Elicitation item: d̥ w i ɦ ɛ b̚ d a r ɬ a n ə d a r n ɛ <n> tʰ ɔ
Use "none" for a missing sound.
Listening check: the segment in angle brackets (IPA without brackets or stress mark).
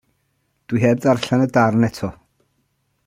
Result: none